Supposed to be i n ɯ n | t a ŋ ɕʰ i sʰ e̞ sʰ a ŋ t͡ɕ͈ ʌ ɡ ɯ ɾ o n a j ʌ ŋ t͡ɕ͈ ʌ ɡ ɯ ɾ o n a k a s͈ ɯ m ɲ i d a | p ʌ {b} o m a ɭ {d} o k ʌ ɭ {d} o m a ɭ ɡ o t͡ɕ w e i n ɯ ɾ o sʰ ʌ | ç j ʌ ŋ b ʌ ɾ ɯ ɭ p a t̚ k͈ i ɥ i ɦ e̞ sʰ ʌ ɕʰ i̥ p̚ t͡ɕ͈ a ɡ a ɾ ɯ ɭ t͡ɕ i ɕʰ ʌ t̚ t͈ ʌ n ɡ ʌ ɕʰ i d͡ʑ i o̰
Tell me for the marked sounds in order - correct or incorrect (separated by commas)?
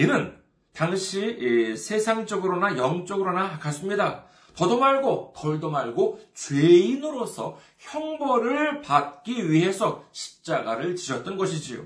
incorrect, incorrect, correct